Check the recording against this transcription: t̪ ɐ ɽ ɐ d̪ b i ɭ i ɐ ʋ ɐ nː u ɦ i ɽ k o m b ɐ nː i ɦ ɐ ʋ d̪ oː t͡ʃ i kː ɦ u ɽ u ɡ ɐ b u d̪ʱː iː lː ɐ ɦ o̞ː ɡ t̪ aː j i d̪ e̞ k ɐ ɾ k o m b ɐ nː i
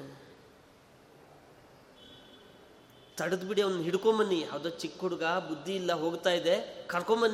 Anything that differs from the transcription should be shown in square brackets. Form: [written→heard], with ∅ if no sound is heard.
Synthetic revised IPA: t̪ ɐ ɽ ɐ d̪ b i [ɭ→ɽ] i ɐ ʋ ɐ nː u ɦ i ɽ k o m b ɐ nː i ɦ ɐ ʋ d̪ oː t͡ʃ i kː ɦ u ɽ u ɡ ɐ b u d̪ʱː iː lː ɐ ɦ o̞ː ɡ t̪ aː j i d̪ e̞ k ɐ ɾ k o m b ɐ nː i